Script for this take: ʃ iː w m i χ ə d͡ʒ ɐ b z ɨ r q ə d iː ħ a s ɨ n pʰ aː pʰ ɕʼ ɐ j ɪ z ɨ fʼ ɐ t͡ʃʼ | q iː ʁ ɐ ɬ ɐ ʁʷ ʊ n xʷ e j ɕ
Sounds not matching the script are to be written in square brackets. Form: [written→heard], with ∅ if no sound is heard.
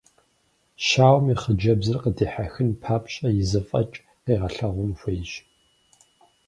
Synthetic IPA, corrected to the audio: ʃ [iː→aː] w m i χ ə d͡ʒ ɐ b z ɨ r q ə d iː ħ a [s→x] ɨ n pʰ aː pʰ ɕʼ ɐ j ɪ z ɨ fʼ ɐ t͡ʃʼ | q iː ʁ ɐ ɬ ɐ ʁʷ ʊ n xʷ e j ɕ